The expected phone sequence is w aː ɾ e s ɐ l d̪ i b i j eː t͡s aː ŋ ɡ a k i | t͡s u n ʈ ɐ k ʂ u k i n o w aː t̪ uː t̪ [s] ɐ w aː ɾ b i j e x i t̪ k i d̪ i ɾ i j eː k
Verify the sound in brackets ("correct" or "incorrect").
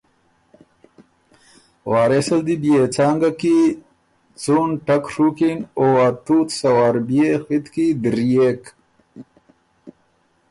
correct